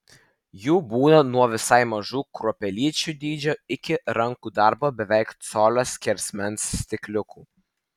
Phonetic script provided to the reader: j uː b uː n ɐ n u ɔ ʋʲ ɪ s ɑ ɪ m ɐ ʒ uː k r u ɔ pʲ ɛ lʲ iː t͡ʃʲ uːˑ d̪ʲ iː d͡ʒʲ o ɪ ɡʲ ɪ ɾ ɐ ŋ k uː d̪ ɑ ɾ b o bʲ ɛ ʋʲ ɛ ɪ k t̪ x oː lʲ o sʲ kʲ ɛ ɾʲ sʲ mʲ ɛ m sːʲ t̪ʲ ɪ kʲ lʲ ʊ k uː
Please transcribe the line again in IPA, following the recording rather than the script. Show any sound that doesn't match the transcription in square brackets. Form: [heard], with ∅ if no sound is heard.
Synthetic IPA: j uː b uː n ɐ n u ɔ ʋʲ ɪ s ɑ ɪ m ɐ ʒ uː k [ɾ] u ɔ pʲ ɛ lʲ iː t͡ʃʲ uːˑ d̪ʲ iː d͡ʒʲ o ɪ [kʲ] ɪ ɾ ɐ ŋ k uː d̪ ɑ ɾ b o bʲ ɛ ʋʲ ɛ ɪ k t̪ [s] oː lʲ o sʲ kʲ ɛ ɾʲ sʲ mʲ ɛ [n] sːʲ t̪ʲ ɪ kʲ lʲ ʊ k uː